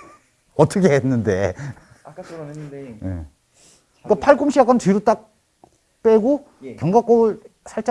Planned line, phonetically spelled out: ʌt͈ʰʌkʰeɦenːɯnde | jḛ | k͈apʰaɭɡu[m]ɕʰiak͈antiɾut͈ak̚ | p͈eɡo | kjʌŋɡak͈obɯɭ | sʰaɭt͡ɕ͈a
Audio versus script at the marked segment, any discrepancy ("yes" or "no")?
no